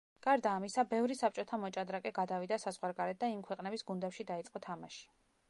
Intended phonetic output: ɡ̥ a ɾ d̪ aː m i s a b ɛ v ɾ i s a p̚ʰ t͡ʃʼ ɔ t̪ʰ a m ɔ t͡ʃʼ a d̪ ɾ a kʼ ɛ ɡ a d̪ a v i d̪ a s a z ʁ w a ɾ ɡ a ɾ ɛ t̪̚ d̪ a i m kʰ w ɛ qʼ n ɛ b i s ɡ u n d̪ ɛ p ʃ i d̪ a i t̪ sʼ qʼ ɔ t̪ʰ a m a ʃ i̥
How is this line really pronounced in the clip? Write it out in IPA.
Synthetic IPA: ɡ̥ a ɾ d̪ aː m i s a b ɛ v ɾ i s a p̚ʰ t͡ʃʼ ɔ t̪ʰ a m ɔ t͡ʃʼ a d̪ ɾ a kʼ ɛ ɡ a d̪ a v i d̪ a s a z ʁ w a ɾ ɡ a ɾ ɛ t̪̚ d̪ a i m kʰ w ɛ qʼ n ɛ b i s ɡ u n d̪ ɛ p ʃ i d̪ a i t̪ sʼ qʼ ɔ t̪ʰ a m a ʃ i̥